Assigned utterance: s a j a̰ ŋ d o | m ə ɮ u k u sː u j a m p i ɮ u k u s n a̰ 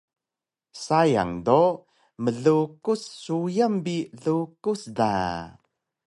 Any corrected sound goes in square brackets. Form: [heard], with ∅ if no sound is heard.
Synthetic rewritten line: s a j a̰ ŋ d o | m ə ɮ u k u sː u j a m [b] i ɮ u k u s [d] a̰